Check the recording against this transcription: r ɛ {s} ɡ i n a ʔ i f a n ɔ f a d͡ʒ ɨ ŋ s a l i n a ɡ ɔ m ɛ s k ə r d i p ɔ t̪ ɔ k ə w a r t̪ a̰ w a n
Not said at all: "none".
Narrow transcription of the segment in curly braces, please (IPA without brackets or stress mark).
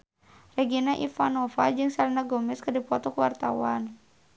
none